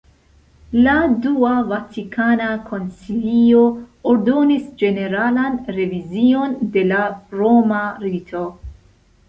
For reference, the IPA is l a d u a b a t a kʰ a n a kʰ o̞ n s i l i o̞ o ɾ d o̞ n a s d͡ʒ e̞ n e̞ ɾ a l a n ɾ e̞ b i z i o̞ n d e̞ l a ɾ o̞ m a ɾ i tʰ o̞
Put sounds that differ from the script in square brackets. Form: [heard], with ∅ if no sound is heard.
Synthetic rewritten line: l a d u a [v] a t [i] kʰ a n a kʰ o̞ n s i l i o̞ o ɾ d o̞ n [i] s d͡ʒ e̞ n e̞ ɾ a l a n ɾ e̞ [v] i z i o̞ n d e̞ l a ɾ o̞ m a ɾ i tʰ o̞